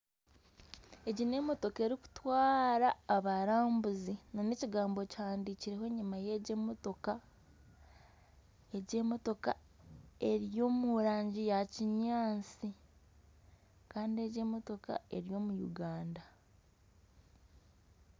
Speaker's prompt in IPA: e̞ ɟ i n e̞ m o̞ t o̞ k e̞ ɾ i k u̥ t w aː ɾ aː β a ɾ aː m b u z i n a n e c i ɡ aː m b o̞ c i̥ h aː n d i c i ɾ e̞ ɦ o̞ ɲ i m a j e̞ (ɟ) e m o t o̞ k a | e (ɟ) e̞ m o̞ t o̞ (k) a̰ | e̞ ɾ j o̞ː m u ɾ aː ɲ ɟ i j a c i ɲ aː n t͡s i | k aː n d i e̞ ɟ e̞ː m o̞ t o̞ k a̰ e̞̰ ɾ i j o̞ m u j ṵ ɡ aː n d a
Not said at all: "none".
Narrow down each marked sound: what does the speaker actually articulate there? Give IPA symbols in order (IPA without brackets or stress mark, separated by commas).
ɟ, ɟ, k